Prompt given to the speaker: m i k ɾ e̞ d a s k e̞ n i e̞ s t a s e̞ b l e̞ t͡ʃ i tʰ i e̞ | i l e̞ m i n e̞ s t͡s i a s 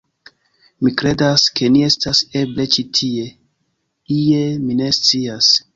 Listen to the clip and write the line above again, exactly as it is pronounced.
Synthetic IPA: m i k ɾ e̞ d a s k e̞ n i e̞ s t a s e̞ b l e̞ t͡ʃ i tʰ i e̞ | i e̞ m i n e̞ s t͡s i a s